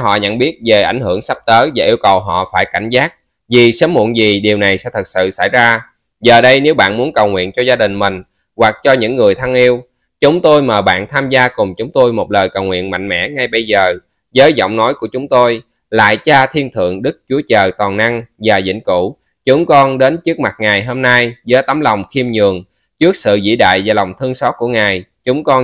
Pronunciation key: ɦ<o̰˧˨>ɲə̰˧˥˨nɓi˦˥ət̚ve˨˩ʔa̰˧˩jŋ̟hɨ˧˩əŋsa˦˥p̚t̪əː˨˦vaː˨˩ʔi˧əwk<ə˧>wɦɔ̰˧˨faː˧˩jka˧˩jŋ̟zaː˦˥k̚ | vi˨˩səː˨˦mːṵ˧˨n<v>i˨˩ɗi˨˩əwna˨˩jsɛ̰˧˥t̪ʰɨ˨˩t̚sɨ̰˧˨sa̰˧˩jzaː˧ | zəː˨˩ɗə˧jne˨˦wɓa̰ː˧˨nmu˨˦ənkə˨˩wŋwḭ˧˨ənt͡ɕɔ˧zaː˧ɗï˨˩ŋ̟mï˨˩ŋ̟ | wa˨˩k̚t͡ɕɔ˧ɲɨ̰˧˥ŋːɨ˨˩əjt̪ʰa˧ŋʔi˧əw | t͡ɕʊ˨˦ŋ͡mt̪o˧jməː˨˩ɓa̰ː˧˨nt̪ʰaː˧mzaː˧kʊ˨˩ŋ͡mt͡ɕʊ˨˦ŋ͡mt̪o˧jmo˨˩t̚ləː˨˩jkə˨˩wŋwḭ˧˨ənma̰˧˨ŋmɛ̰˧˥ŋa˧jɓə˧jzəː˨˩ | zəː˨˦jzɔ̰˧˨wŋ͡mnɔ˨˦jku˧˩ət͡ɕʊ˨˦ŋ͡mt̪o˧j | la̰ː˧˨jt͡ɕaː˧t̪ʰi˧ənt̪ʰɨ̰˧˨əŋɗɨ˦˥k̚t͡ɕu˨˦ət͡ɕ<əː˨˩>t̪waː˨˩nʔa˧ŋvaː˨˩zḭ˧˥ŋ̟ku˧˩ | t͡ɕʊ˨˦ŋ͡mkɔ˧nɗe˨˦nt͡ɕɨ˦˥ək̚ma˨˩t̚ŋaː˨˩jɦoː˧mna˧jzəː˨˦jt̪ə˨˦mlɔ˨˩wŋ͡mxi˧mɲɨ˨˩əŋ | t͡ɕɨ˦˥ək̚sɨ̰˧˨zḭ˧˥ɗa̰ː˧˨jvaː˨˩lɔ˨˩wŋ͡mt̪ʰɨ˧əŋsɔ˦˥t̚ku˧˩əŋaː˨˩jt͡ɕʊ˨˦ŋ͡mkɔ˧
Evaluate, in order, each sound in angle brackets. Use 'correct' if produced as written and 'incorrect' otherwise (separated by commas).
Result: incorrect, incorrect, incorrect, correct